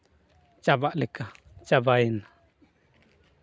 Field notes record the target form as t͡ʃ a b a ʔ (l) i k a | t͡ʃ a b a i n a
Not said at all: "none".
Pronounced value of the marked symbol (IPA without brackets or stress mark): l